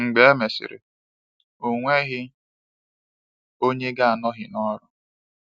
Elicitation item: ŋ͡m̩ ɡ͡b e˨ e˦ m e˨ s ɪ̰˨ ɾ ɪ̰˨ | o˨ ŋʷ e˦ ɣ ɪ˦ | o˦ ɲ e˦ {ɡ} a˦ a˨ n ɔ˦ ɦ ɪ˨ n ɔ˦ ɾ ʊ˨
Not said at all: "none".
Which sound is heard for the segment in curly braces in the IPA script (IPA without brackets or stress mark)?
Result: ɡ